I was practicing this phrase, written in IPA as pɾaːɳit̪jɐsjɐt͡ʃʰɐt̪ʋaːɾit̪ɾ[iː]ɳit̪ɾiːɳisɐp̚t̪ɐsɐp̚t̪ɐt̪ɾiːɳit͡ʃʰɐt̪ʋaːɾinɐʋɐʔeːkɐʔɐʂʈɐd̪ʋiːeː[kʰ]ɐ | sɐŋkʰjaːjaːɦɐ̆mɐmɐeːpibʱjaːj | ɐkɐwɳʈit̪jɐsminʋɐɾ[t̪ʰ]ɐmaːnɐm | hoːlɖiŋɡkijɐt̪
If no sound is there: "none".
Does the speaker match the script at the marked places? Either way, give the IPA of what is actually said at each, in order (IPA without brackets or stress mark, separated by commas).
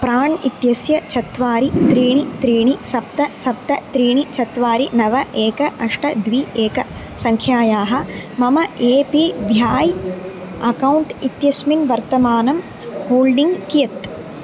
iː, k, t̪